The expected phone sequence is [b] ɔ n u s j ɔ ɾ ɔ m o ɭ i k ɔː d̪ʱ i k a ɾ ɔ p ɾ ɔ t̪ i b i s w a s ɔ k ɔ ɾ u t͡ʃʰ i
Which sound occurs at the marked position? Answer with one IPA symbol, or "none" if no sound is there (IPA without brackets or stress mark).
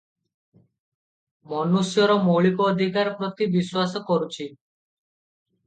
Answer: m